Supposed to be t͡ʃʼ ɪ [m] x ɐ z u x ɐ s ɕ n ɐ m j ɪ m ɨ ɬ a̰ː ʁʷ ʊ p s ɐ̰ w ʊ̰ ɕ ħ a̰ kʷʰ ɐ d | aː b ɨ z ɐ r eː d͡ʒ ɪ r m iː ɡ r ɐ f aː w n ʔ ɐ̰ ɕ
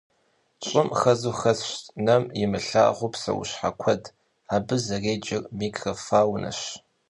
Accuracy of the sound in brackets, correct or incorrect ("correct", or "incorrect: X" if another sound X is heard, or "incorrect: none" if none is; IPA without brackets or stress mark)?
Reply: correct